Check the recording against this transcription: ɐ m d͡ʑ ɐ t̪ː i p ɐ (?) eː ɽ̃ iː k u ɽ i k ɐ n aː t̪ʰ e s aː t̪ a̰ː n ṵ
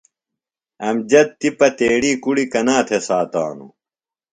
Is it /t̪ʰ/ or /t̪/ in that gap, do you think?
t̪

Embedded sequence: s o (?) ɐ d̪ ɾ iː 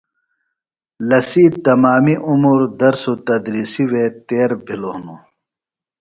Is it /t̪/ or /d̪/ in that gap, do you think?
t̪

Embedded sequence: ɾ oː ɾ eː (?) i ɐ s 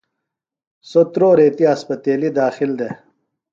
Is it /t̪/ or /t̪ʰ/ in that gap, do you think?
t̪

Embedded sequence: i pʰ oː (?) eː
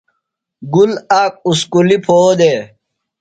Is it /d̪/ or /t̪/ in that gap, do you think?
d̪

